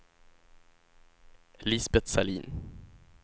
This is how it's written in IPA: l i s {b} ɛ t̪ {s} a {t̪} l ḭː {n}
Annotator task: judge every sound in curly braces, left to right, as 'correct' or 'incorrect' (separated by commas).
correct, correct, incorrect, correct